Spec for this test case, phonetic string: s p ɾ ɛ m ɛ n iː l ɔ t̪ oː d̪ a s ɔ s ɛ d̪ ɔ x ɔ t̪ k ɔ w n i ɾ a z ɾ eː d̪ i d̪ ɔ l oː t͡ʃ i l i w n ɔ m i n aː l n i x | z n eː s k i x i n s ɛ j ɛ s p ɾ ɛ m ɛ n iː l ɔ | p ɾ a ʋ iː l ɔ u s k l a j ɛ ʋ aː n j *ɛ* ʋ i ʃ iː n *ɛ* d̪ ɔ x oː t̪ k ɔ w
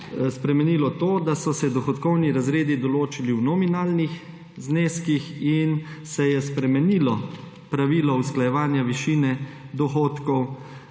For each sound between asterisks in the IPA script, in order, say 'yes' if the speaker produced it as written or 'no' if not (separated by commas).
no, yes